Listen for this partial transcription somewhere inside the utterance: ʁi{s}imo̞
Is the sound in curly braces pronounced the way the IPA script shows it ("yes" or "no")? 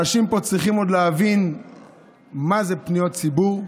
no